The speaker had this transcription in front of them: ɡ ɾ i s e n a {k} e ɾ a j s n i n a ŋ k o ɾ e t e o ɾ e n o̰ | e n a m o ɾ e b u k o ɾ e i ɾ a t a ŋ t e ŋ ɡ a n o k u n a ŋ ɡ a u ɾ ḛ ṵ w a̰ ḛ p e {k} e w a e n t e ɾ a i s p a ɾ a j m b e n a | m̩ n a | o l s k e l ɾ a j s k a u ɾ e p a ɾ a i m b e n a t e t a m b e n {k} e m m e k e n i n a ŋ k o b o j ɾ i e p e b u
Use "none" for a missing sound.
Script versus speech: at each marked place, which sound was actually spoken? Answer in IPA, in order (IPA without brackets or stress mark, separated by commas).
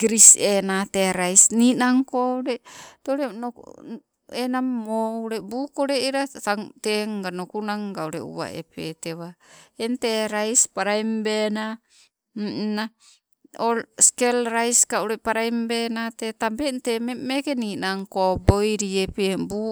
t, t, t